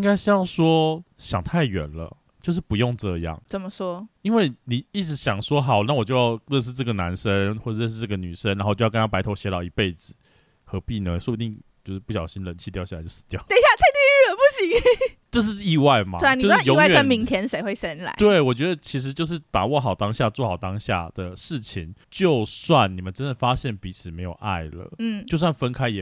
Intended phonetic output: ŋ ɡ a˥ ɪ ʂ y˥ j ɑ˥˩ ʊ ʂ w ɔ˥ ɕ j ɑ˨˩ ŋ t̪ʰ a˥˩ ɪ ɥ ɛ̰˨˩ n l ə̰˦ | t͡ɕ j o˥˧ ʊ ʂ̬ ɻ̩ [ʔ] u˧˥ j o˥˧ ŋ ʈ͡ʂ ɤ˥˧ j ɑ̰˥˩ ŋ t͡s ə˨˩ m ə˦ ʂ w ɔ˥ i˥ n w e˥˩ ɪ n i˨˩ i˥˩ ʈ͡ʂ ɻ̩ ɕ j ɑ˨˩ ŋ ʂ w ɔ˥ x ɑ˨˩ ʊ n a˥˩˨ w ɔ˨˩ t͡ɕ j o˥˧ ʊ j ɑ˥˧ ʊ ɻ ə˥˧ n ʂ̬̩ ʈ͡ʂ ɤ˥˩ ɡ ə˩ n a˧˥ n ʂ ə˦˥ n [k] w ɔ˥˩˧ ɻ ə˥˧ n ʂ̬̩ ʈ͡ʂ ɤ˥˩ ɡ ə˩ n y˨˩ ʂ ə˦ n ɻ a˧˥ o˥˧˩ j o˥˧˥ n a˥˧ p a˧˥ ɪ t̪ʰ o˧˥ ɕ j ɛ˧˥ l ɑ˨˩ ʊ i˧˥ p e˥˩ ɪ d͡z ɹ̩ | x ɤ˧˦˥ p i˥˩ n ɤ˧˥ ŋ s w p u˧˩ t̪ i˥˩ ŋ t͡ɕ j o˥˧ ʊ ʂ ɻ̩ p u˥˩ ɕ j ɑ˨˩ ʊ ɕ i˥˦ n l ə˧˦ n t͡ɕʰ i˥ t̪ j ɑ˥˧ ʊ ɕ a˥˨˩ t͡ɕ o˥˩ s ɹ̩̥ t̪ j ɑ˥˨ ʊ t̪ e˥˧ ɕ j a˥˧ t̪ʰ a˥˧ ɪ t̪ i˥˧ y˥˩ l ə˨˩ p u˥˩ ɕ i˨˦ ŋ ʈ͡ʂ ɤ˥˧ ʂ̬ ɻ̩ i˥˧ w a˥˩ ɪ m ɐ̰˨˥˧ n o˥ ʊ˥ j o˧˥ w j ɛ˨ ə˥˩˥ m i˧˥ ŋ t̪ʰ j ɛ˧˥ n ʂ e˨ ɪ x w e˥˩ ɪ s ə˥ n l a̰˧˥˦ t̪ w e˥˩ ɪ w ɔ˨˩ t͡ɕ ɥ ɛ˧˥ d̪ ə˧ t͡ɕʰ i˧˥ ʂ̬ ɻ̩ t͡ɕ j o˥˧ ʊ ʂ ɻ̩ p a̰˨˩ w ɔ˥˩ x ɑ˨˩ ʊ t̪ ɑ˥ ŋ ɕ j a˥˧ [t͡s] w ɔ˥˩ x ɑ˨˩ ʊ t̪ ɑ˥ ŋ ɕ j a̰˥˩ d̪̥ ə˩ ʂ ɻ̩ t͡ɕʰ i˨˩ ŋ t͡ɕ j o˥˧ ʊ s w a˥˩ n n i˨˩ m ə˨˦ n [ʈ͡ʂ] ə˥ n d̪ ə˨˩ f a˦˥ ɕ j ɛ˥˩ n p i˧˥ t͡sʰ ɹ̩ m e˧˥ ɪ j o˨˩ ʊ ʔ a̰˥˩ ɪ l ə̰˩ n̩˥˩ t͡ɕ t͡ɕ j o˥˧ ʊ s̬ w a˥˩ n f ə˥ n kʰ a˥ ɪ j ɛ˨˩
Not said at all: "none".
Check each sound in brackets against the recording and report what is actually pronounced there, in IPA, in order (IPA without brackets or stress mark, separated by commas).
p, x, t͡s, ʈ͡ʂ